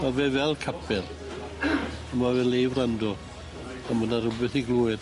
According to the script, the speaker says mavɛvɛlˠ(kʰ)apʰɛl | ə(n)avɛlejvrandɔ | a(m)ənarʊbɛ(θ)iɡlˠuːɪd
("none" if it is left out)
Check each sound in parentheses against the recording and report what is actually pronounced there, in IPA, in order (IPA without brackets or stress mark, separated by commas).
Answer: kʰ, m, m, θ